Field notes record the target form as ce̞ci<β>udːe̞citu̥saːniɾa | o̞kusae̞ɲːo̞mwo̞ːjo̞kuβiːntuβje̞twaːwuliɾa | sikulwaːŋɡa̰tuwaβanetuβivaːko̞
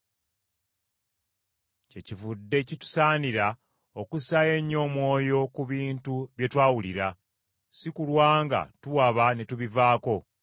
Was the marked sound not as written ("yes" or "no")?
yes